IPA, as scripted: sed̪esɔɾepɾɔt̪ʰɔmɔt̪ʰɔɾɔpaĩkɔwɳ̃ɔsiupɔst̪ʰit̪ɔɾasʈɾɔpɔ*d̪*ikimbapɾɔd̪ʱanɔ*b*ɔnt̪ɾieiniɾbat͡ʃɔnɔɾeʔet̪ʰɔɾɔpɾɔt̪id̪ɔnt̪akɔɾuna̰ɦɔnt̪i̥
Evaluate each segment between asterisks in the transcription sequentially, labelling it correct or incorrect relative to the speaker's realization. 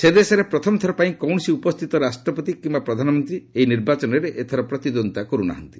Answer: incorrect, incorrect

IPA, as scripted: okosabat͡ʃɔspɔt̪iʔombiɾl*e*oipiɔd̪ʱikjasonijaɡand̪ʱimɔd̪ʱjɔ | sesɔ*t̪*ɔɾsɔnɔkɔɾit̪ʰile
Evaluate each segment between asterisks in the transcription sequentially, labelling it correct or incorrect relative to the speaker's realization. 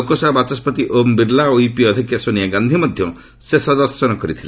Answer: incorrect, incorrect

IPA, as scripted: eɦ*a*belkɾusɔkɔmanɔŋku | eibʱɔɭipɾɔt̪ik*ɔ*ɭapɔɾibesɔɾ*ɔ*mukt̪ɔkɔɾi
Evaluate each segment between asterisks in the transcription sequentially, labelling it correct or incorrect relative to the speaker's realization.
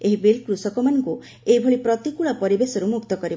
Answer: incorrect, incorrect, incorrect

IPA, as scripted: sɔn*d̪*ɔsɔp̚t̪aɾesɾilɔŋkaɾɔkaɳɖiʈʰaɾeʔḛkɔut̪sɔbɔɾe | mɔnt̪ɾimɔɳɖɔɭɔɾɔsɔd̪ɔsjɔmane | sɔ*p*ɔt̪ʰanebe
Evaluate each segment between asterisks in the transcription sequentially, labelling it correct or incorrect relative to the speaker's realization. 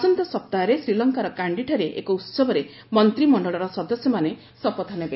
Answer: incorrect, correct

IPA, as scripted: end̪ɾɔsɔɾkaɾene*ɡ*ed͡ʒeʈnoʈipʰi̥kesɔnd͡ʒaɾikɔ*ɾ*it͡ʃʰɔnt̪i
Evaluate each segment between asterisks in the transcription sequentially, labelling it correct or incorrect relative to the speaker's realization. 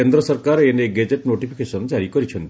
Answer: correct, correct

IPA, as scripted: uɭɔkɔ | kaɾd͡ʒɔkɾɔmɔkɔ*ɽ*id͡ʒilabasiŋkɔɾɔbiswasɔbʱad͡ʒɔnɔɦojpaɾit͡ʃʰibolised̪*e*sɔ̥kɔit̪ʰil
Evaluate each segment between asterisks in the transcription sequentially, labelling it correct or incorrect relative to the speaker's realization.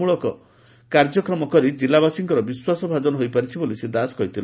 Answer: incorrect, incorrect

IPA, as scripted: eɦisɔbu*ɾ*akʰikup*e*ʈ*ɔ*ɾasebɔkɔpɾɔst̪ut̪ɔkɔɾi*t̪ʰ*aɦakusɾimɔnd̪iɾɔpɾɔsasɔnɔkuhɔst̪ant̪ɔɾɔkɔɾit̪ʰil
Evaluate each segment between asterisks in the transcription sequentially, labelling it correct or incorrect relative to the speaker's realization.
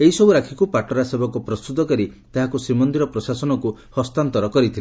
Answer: correct, incorrect, correct, incorrect

